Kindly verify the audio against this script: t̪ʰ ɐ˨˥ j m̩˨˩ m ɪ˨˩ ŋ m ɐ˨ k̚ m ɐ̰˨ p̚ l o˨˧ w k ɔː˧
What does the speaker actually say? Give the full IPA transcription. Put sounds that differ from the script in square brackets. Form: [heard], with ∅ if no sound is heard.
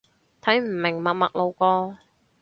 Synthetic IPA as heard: t̪ʰ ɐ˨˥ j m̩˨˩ m ɪ˨˩ ŋ m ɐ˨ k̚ m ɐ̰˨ [k̚] l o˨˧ w k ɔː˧